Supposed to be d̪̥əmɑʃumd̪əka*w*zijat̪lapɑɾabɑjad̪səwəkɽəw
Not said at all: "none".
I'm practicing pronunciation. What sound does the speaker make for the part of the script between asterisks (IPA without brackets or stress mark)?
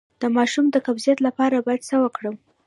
b